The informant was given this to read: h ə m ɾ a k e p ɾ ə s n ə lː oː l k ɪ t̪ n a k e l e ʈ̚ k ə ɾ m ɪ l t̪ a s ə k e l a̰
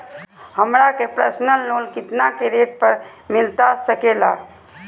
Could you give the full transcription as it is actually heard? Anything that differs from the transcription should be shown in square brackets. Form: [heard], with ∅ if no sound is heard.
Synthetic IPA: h ə m ɾ a k e p ɾ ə s n ə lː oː l k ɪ t̪ n a k e [ɾ] e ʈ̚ [p] ə ɾ m ɪ l t̪ a s ə k e l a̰